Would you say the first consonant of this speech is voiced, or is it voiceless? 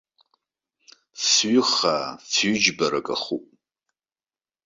voiceless